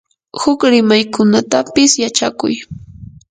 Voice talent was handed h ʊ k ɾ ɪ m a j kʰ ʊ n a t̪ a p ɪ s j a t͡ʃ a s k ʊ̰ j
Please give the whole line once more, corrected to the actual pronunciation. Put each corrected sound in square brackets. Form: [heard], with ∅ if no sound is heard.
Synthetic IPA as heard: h ʊ k ɾ ɪ m a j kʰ ʊ n a t̪ a p ɪ s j a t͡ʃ a [∅] k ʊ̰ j